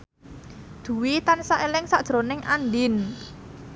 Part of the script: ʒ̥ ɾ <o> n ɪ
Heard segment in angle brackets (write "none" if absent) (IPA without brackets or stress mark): o